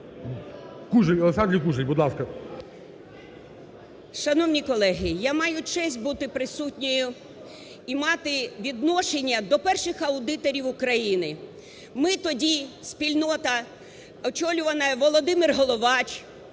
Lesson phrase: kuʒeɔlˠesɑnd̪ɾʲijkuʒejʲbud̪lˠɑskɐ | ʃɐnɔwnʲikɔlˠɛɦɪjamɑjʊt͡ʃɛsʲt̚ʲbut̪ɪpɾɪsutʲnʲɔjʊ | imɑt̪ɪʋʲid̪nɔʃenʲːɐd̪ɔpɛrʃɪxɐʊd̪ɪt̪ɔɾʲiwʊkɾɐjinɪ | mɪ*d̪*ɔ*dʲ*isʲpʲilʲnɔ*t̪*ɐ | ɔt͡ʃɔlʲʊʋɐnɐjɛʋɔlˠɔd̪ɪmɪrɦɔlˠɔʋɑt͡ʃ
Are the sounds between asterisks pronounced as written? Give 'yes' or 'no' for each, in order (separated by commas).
no, yes, yes